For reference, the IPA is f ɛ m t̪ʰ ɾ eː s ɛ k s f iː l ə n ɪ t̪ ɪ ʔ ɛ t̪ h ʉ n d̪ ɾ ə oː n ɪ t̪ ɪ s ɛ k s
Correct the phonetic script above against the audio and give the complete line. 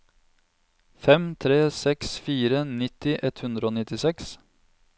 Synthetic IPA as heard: f ɛ m t̪ʰ ɾ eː s ɛ k s f iː ɾ ə n ɪ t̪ ɪ ʔ ɛ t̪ h ʉ n d̪ ɾ ə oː n ɪ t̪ ɪ s ɛ k s